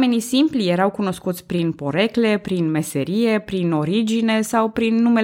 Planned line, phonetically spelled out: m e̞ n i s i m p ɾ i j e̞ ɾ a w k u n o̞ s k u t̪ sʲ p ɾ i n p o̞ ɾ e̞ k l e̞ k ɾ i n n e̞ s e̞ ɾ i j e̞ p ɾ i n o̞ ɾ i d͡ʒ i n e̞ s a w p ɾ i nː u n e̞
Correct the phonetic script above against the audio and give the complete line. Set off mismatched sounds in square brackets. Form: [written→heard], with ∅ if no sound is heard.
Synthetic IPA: m e̞ n i s i m p [ɾ→l] i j e̞ ɾ a w k u n o̞ s k u t̪ sʲ p ɾ i n p o̞ ɾ e̞ k l e̞ [k→p] ɾ i n [n→m] e̞ s e̞ ɾ i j e̞ p ɾ i n o̞ ɾ i d͡ʒ i n e̞ s a w p ɾ i nː u [n→m] e̞